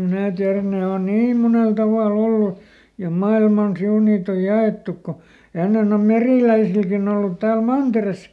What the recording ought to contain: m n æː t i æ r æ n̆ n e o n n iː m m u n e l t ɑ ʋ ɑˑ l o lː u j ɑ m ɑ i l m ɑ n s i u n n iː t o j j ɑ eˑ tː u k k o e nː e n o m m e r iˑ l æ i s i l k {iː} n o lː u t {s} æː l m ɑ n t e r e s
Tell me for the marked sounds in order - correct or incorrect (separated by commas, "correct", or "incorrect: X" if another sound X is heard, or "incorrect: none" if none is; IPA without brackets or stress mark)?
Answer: incorrect: i, incorrect: t